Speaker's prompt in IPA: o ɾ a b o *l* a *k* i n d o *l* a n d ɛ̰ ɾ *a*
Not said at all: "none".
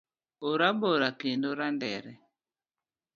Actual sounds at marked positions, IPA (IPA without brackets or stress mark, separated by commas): ɾ, k, ɾ, ɛ